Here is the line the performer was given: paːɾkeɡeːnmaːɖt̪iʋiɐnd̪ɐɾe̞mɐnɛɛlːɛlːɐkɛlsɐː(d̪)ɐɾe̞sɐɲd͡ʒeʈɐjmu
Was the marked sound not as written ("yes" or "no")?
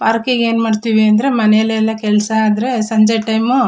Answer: no